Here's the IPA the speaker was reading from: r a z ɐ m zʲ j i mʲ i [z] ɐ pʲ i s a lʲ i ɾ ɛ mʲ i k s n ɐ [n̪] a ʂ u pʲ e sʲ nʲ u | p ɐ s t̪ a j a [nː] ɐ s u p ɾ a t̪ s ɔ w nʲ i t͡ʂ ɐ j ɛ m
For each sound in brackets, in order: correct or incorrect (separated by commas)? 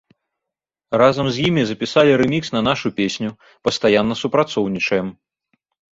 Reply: correct, correct, correct